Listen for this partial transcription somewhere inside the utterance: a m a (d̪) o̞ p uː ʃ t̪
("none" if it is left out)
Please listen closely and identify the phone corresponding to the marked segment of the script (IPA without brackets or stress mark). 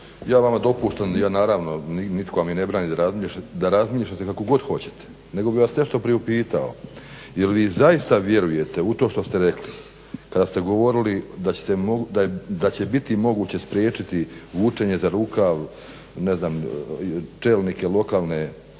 d̪